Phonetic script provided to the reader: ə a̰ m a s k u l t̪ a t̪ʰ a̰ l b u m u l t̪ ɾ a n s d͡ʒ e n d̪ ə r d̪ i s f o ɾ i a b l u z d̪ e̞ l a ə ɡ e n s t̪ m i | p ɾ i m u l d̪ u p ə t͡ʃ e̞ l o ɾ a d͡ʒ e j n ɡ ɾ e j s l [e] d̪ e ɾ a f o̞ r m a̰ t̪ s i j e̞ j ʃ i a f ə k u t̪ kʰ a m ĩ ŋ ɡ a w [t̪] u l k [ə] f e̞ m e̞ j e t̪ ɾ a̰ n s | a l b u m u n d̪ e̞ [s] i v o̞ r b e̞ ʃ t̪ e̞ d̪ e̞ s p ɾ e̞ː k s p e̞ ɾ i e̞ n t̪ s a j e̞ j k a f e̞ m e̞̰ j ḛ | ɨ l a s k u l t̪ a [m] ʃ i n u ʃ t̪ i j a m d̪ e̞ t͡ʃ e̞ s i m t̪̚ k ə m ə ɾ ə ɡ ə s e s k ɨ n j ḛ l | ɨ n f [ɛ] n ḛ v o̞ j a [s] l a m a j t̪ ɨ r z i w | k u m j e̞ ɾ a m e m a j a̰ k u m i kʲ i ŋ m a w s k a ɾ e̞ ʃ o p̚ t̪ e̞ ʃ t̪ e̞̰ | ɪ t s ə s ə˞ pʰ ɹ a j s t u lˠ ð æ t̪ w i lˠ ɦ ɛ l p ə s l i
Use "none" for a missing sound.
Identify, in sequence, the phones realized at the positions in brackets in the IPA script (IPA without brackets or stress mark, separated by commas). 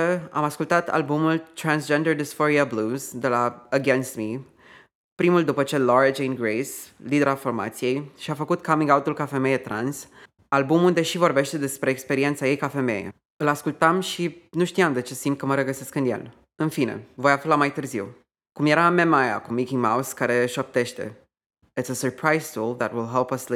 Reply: i, t̪, a, ʃ, m, i, f